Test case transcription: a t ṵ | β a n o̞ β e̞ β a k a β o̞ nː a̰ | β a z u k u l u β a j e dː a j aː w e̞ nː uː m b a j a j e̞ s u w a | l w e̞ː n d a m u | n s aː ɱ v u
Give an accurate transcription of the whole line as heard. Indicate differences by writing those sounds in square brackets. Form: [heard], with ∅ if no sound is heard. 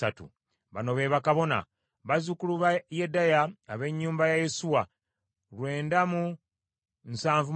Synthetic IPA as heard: a t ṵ | β a n o̞ β e̞ β a k a β o̞ [n] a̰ | β a z u k u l u β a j e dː a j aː [β] e̞ [ɲː] uː m b a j a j e̞ s u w a | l w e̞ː n d a m u | n s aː ɱ v u